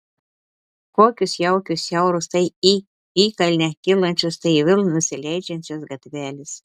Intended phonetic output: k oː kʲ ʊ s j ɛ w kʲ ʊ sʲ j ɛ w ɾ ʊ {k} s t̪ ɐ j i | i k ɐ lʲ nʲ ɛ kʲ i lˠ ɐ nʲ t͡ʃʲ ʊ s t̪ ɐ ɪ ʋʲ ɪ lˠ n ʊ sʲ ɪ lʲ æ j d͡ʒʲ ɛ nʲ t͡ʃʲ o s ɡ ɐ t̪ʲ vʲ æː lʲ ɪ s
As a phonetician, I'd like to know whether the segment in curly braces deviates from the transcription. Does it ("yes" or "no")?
yes